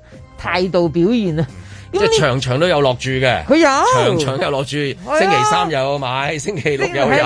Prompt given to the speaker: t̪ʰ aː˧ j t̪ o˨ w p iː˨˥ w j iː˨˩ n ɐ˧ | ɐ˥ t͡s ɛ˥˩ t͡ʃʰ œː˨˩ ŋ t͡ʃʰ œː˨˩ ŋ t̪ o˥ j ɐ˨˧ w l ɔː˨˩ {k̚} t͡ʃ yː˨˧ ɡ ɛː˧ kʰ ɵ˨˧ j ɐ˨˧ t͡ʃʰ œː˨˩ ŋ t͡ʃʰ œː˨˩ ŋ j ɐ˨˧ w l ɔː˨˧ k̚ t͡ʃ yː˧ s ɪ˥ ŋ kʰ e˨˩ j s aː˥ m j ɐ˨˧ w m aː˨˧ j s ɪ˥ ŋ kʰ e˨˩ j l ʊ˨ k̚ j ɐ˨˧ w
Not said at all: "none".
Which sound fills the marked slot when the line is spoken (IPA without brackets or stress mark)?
k̚